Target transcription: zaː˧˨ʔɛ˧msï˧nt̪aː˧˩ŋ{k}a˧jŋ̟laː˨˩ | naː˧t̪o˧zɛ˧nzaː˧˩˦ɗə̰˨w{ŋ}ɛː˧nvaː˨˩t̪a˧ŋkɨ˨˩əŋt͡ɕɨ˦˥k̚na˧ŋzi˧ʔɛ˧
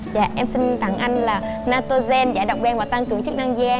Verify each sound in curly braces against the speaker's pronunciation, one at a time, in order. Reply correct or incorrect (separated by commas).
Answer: incorrect, incorrect